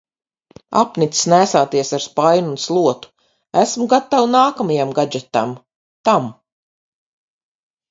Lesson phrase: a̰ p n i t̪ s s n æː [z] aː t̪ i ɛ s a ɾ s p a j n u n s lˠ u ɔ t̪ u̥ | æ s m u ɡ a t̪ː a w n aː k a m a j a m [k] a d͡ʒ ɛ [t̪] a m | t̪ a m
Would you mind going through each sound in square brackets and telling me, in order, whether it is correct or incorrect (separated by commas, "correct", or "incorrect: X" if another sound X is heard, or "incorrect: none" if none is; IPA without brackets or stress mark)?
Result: incorrect: s, incorrect: ɡ, correct